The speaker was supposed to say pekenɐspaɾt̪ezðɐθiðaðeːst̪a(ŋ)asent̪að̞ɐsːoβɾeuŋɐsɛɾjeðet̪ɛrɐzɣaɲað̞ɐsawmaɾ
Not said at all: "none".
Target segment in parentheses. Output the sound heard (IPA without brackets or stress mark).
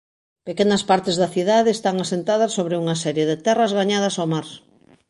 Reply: ŋ